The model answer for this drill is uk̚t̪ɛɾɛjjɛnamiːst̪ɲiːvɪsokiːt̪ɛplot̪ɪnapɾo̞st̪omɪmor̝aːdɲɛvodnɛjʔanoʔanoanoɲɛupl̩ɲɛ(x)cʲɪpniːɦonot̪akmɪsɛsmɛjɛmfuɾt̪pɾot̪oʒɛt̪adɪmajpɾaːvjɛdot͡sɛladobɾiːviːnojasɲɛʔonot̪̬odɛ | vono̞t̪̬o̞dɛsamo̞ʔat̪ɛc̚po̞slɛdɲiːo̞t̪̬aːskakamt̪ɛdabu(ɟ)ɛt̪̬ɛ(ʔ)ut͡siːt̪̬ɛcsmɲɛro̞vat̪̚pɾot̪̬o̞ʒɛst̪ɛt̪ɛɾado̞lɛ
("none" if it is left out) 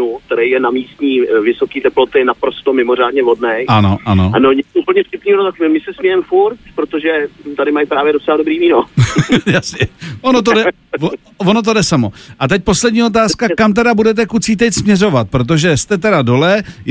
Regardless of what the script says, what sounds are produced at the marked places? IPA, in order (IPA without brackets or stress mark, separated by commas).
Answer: f, d, k